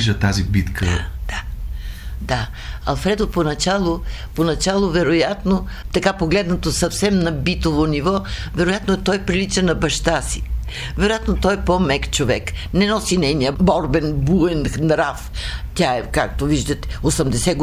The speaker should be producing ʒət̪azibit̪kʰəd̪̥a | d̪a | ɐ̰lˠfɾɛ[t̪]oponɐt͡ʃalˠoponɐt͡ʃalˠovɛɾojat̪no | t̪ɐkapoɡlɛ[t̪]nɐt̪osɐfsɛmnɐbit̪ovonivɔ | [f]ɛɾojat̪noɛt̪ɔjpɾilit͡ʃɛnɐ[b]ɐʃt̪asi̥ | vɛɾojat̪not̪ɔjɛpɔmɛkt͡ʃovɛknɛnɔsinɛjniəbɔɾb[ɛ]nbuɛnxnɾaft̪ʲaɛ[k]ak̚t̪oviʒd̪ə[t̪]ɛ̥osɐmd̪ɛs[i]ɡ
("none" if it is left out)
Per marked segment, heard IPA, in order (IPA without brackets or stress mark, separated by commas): d̪, d̪, v, b, ɛ, k, t̪, ɛ